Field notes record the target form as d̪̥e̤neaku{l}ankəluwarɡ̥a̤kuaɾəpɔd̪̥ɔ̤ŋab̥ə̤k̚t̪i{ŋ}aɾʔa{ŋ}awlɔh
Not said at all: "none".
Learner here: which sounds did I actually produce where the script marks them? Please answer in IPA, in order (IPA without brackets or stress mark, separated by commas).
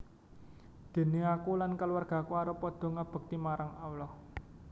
l, m, ŋ